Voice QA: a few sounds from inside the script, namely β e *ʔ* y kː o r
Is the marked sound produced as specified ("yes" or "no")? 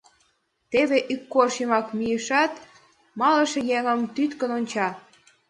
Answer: yes